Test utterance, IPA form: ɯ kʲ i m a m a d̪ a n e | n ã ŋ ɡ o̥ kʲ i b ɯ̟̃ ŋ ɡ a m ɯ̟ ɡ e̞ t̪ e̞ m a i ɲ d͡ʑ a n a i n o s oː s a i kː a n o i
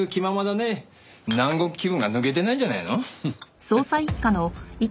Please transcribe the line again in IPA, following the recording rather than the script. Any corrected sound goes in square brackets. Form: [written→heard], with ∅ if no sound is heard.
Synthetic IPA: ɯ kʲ i m a m a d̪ a n e | n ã ŋ ɡ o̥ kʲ i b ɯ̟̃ ŋ ɡ a [m→n] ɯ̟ ɡ e̞ t̪ e̞ [m→n] a i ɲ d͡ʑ a n a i n o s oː s a i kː a n o i

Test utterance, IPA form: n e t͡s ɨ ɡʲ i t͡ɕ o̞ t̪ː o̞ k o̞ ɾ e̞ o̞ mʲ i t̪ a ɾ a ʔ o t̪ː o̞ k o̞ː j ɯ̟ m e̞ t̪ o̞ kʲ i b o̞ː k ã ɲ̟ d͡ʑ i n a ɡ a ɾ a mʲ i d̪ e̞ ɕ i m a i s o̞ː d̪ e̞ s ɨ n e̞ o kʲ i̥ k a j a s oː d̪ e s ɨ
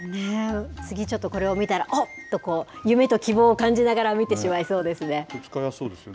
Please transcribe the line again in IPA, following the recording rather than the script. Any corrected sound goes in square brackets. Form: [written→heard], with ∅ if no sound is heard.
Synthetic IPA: n e t͡s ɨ ɡʲ i t͡ɕ o̞ t̪ː o̞ k o̞ ɾ e̞ o̞ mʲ i t̪ a ɾ a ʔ o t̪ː o̞ k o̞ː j ɯ̟ m e̞ t̪ o̞ kʲ i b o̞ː k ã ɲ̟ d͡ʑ i n a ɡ a ɾ a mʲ i [d̪→t̪] e̞ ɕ i m a i s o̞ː d̪ e̞ s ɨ n e̞ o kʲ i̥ k a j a s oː d̪ e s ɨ

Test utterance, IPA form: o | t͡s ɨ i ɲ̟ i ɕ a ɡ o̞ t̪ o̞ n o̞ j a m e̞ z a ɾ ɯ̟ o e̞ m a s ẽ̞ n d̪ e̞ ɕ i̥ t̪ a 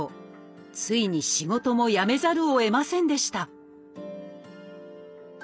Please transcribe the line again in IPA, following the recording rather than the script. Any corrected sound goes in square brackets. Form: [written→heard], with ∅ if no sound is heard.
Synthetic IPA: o | t͡s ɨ i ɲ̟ i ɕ [a→i] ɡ o̞ t̪ o̞ [n→m] o̞ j a m e̞ z a ɾ ɯ̟ o e̞ m a s ẽ̞ n d̪ e̞ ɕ i̥ t̪ a

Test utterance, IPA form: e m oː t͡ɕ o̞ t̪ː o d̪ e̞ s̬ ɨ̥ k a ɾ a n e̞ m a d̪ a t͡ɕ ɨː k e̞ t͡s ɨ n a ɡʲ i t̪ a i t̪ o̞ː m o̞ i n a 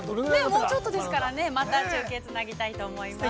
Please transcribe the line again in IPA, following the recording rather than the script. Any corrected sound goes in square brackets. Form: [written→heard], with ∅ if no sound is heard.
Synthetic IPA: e m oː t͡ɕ o̞ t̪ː o d̪ e̞ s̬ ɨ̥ k a ɾ a n e̞ m a [d̪→t̪] a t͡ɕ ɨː k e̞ t͡s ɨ n a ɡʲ i t̪ a i t̪ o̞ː m o̞ i [n→m] a

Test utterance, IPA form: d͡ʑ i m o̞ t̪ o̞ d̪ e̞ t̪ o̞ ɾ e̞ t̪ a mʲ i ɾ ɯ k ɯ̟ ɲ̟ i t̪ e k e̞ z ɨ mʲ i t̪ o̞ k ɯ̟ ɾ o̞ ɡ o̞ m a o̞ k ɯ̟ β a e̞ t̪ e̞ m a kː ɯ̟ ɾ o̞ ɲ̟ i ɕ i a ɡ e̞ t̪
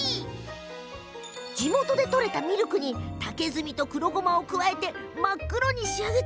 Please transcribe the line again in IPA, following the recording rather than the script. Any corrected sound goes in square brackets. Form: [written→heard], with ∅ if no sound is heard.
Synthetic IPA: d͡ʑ i m o̞ t̪ o̞ d̪ e̞ t̪ o̞ ɾ e̞ t̪ a mʲ i ɾ ɯ k ɯ̟ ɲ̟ i t̪ [e→a] k e̞ z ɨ mʲ i t̪ o̞ k ɯ̟ ɾ o̞ ɡ o̞ m a o̞ k ɯ̟ β a e̞ t̪ e̞ m a kː ɯ̟ ɾ o̞ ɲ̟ i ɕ i a ɡ e̞ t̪

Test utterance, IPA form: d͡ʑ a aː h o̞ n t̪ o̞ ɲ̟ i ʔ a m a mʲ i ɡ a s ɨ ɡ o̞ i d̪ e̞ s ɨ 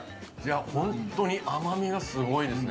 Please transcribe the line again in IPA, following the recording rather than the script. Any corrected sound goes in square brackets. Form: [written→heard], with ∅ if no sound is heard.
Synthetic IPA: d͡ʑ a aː h [o̞→õ̞] n t̪ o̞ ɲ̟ i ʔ a m a mʲ i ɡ a s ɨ ɡ o̞ i d̪ e̞ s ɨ

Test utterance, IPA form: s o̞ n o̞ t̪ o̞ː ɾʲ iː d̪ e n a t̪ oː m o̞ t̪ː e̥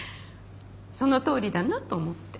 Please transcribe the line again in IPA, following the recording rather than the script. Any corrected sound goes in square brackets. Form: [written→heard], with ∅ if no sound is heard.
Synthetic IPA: s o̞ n o̞ t̪ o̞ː ɾʲ [iː→i] d̪ [e→a] n a t̪ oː m o̞ t̪ː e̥

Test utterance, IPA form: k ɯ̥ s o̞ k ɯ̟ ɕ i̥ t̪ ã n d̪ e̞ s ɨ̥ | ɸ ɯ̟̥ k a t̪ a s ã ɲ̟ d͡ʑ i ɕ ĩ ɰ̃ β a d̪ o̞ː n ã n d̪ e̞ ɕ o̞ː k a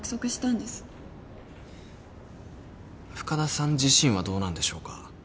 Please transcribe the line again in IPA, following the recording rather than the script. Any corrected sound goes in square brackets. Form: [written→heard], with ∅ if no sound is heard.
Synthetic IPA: k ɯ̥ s o̞ k ɯ̟ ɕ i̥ t̪ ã n d̪ e̞ s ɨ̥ | ɸ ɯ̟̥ k a [t̪→d̪] a s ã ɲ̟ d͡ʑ i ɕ ĩ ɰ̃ β a d̪ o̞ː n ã n d̪ e̞ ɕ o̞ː k a

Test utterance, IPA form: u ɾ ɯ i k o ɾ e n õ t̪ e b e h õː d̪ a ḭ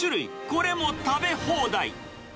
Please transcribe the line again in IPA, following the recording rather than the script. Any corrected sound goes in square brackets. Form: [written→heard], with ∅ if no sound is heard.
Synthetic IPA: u ɾ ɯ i k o ɾ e [n→m] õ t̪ [e→a] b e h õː d̪ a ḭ

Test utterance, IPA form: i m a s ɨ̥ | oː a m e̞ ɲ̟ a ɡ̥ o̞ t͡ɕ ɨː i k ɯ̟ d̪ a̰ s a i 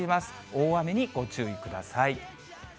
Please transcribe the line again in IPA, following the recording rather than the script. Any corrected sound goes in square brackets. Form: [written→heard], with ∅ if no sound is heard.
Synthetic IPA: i m a s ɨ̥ | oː a m e̞ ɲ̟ [a→i] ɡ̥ o̞ t͡ɕ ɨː i k ɯ̟ d̪ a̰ s a i

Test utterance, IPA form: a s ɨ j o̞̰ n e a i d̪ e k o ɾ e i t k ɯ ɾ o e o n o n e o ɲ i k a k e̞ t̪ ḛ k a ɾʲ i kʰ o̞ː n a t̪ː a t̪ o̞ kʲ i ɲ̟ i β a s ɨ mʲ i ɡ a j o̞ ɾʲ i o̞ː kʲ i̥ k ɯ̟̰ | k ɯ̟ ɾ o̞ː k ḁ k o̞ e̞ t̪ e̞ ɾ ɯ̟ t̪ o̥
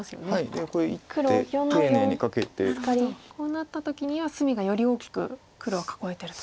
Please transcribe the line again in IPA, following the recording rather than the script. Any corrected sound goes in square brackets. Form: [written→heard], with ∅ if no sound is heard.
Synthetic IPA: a s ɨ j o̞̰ n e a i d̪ e k o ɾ e i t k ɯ ɾ o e o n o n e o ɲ i k a k e̞ t̪ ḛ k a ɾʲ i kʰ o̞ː n a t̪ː a t̪ o̞ kʲ i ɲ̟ i β a s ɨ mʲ i ɡ a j o̞ ɾʲ i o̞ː kʲ i̥ k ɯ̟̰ | k ɯ̟ ɾ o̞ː k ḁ k o̞ e̞ t̪ e̞ ɾ ɯ̟ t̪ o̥

